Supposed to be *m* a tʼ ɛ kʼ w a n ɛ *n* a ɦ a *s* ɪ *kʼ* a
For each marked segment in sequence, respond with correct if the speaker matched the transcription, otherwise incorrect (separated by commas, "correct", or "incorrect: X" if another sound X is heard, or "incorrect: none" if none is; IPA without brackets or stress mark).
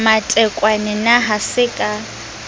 correct, correct, correct, correct